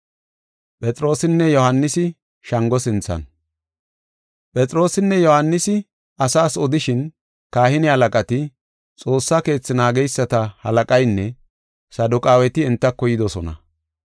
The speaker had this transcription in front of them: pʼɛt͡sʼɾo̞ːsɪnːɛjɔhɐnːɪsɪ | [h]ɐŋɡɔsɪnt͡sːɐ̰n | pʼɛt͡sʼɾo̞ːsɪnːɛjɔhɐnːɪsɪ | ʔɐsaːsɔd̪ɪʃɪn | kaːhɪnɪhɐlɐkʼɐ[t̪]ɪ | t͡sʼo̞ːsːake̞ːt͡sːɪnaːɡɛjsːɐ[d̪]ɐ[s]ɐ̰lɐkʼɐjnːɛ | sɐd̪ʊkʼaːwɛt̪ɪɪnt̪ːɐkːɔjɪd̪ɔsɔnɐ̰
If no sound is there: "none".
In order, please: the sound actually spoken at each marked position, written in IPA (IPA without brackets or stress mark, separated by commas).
ʃ, t̪, t̪, h